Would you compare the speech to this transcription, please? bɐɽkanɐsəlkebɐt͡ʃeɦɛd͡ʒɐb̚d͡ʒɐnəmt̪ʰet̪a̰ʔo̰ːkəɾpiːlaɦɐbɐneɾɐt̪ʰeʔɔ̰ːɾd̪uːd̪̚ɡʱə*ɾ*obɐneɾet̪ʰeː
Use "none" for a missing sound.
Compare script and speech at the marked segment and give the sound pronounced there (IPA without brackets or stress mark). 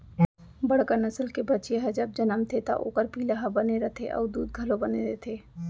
l